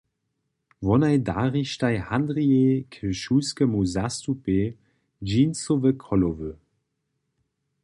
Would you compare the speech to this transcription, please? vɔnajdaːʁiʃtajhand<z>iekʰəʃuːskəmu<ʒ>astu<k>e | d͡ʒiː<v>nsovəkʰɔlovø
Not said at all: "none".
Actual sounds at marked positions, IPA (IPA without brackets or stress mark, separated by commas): ʁ, z, p, none